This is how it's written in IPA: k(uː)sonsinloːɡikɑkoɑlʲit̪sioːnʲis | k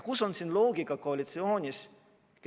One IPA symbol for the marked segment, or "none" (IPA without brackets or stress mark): u